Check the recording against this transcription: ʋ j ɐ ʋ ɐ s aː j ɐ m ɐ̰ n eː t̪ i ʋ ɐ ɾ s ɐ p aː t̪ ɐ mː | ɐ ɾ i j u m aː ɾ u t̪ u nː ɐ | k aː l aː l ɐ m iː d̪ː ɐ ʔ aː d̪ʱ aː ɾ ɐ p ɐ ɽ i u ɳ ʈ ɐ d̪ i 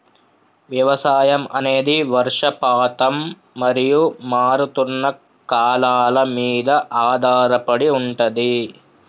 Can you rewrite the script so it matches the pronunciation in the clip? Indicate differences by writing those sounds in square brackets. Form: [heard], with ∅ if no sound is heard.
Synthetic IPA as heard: ʋ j ɐ ʋ ɐ s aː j ɐ m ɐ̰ n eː [d̪] i ʋ ɐ ɾ [ʂ] ɐ p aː t̪ ɐ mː | ɐ ɾ i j u m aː ɾ u t̪ u nː ɐ | k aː l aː l ɐ m iː [d̪] ɐ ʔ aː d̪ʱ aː ɾ ɐ p ɐ ɽ i u ɳ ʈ ɐ d̪ i